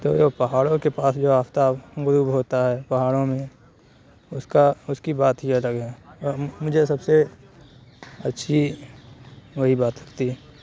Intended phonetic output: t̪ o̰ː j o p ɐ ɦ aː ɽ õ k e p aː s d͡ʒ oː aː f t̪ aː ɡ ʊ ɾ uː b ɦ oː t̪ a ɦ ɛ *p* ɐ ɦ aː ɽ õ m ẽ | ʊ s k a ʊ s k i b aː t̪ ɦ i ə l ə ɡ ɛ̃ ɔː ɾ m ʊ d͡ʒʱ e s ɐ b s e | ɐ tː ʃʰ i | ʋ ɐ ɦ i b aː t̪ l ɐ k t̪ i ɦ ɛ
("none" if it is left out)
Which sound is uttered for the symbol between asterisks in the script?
p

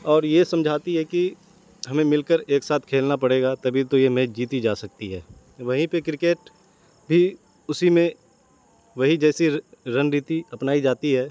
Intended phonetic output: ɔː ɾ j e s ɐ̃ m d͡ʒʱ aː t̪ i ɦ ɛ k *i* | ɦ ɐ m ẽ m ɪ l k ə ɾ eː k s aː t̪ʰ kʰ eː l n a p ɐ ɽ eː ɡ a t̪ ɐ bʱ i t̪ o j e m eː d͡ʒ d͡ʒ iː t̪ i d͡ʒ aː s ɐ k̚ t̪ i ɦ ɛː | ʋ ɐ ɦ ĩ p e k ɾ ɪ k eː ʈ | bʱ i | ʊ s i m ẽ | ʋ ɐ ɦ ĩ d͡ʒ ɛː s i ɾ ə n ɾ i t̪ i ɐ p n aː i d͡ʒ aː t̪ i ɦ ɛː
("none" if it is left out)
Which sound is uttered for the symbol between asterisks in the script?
i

